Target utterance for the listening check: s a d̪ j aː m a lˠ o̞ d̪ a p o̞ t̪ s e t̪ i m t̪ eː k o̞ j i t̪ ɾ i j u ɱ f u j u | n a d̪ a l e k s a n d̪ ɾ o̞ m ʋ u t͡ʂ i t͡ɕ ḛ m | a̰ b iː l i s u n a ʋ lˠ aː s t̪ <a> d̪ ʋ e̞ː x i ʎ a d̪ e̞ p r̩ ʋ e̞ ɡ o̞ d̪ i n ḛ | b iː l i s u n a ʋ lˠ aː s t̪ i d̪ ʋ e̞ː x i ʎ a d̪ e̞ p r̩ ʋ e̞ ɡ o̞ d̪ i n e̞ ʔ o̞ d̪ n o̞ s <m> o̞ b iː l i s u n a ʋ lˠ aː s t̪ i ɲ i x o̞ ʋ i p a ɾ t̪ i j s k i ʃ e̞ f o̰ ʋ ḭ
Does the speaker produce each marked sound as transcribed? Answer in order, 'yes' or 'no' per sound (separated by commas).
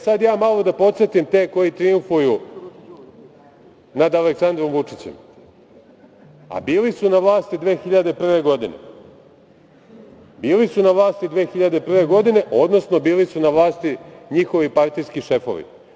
no, no